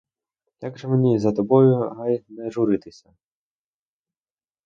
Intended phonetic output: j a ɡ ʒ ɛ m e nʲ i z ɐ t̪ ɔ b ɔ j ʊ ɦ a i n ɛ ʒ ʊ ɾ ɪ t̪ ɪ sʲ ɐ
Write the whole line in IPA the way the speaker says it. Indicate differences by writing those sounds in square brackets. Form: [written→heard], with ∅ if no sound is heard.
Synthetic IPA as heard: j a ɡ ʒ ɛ m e nʲ i z ɐ t̪ ɔ b ɔ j ʊ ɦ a [i→j] n ɛ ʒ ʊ ɾ ɪ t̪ ɪ sʲ ɐ